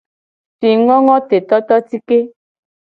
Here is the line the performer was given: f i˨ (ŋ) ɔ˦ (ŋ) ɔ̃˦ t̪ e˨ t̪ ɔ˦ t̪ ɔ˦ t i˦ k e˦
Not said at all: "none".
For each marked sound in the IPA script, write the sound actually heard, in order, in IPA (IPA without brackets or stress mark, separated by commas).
ŋ, ŋ